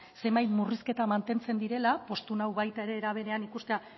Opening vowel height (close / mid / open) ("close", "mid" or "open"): mid